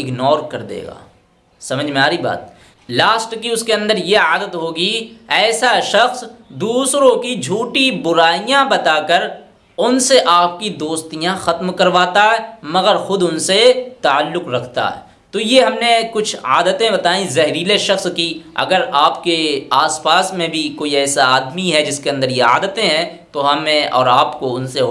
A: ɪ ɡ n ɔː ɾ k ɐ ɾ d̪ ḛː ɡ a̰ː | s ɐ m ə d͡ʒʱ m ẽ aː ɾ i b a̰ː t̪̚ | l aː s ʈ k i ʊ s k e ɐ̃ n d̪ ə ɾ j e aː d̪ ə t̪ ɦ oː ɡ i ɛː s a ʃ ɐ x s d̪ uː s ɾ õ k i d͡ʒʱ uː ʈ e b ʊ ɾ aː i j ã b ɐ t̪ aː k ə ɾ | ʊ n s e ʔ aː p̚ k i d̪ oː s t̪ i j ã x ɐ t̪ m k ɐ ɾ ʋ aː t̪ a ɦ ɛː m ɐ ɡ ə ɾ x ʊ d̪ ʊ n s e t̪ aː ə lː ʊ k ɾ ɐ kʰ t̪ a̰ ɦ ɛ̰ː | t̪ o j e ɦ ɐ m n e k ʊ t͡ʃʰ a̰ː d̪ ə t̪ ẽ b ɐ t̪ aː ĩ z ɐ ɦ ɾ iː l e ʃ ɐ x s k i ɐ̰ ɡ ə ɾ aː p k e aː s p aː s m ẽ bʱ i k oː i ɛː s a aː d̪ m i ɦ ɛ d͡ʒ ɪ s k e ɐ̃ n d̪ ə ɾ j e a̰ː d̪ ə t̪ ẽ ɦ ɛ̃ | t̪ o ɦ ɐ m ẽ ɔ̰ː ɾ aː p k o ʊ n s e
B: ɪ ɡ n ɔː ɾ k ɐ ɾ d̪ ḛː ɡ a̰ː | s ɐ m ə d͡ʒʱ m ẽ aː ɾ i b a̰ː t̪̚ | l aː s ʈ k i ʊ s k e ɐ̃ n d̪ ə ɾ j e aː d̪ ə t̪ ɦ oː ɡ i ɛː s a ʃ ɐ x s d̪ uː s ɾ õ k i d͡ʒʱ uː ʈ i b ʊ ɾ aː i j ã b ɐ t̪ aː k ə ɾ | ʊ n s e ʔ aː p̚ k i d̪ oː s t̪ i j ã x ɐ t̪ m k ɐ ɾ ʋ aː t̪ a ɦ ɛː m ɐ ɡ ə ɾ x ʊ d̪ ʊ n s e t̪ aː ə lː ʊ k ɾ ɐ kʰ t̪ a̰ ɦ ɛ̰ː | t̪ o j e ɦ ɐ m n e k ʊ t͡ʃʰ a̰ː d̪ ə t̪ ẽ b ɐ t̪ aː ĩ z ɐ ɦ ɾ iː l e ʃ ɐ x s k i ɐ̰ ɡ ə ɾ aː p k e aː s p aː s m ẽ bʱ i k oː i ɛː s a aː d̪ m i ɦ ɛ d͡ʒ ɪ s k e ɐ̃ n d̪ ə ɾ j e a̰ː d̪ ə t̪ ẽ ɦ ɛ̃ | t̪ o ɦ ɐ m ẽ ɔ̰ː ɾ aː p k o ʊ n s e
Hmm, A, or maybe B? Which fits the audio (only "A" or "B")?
B